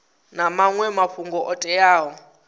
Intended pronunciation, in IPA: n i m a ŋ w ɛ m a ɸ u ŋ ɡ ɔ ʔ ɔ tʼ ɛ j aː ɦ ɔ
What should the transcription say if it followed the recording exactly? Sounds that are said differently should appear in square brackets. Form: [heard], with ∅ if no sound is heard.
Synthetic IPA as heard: n [a] m a ŋ w ɛ m a ɸ u ŋ ɡ ɔ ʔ ɔ tʼ ɛ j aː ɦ ɔ